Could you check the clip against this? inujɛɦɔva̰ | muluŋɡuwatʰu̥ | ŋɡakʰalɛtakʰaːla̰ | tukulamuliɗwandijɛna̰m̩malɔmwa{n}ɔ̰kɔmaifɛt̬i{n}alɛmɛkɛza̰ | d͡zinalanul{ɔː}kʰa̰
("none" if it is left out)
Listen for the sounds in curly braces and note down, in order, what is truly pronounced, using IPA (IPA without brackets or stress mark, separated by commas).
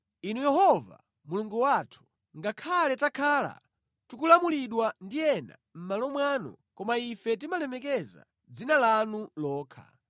n, m, ɔː